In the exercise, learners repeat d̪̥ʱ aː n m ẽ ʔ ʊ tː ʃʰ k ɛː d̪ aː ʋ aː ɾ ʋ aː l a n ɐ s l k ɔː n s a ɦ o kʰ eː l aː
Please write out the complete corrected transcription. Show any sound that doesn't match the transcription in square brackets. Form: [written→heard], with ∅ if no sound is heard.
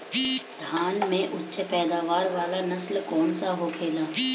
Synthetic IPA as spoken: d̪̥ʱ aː n m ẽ ʔ ʊ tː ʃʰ [k→p] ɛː d̪ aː ʋ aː ɾ ʋ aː l a n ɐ s l k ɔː n s a ɦ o kʰ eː l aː